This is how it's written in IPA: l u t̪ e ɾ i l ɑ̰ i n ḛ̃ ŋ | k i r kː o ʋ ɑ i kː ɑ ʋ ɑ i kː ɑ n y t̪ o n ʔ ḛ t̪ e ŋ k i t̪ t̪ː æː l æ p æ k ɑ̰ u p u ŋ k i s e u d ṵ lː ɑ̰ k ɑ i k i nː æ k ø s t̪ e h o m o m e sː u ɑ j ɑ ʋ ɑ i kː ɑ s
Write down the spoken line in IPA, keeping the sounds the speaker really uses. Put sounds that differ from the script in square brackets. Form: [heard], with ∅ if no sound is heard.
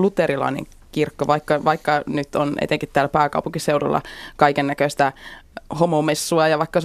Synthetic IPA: l u t̪ e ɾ i l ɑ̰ i n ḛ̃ ŋ | k i r kː o ʋ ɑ i kː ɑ ʋ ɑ i kː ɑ n y t̪ o n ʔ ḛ t̪ e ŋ k i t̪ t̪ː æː l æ p [æː] k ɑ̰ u p u ŋ k i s e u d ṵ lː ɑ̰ k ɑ i k [e] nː æ k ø s t̪ [æ] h o m o m e sː u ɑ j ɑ ʋ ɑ i kː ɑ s